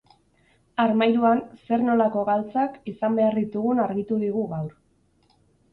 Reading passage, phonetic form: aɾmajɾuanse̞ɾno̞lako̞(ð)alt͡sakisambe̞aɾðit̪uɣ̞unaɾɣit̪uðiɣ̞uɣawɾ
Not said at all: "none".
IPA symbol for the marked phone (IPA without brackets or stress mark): ɣ